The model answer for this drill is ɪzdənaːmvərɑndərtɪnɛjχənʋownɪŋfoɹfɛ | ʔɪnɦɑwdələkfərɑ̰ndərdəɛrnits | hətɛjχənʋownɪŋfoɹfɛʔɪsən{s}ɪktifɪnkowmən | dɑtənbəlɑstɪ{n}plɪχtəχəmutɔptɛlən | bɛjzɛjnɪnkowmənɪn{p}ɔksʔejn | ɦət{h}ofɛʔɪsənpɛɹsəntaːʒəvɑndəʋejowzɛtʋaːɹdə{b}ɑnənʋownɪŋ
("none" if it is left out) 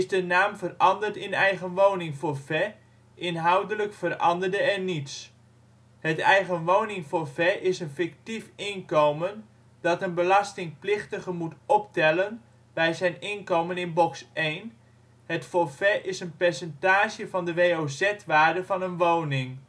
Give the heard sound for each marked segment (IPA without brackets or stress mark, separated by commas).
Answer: f, ŋ, b, f, v